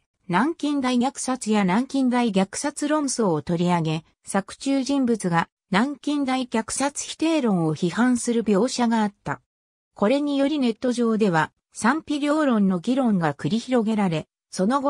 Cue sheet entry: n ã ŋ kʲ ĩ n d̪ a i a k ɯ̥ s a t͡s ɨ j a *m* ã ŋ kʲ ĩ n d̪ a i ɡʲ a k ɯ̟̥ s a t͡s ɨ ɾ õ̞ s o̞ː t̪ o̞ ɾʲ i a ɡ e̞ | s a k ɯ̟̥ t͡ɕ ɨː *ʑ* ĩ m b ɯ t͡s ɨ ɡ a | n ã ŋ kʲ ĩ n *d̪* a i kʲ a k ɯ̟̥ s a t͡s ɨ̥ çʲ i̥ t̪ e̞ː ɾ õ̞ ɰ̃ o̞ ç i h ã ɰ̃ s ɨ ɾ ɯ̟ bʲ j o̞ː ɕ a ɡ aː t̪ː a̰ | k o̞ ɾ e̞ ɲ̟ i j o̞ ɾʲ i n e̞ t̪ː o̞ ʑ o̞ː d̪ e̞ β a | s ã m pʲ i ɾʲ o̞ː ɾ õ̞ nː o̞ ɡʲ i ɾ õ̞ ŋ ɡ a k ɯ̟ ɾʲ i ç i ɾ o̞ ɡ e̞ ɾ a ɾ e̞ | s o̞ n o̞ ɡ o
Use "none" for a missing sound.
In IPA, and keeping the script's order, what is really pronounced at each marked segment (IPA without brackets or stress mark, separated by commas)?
n, ʑ, d̪